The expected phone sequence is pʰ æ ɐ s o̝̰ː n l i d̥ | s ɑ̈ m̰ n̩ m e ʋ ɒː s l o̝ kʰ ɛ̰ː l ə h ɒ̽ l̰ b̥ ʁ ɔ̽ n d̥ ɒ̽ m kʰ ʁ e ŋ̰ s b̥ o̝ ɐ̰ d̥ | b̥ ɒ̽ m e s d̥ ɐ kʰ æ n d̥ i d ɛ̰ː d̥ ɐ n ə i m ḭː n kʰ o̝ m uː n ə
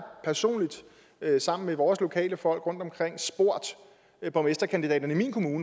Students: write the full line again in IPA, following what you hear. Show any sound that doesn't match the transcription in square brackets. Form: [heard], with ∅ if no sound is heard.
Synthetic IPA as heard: pʰ æ ɐ s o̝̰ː n l i d̥ | s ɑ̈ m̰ n̩ m e ʋ ɒː s l o̝ kʰ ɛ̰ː l ə [f] ɒ̽ l̰ [ɡ̥] ʁ ɔ̽ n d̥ ɒ̽ m kʰ ʁ e ŋ̰ s b̥ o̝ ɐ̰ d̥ | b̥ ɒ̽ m e s d̥ ɐ kʰ æ n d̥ i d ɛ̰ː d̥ ɐ n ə i m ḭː n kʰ o̝ m uː n ə